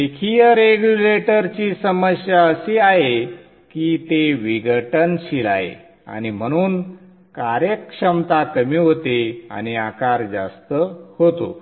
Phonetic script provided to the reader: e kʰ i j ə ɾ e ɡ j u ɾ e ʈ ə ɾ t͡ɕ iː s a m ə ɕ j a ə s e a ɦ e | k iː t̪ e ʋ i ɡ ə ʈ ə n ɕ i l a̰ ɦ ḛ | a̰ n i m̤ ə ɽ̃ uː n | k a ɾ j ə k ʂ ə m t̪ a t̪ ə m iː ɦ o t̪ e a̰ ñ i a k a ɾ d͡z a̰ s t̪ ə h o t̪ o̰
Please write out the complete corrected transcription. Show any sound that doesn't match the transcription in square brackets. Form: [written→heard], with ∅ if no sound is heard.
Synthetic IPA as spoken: e kʰ i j ə ɾ e ɡ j u [ɾ→l] e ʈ ə ɾ t͡ɕ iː s [a→ə] m ə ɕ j a ə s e a ɦ e | k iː t̪ e ʋ i ɡ ə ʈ ə n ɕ i l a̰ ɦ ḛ | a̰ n i m̤ ə ɽ̃ uː n | k a ɾ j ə k ʂ ə m t̪ a t̪ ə m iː ɦ o t̪ e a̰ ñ i a k a ɾ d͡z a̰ s t̪ ə h o t̪ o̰